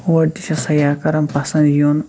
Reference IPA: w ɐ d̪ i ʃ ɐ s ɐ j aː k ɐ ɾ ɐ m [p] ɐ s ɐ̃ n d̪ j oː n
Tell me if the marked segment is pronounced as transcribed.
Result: yes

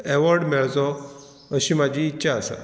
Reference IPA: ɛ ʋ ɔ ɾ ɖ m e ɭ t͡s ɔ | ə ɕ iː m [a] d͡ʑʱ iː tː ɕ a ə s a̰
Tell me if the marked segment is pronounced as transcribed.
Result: yes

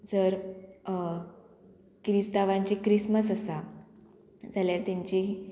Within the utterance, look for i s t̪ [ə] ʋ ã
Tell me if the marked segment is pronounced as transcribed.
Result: no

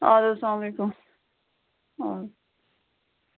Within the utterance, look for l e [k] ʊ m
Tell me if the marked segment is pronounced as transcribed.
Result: yes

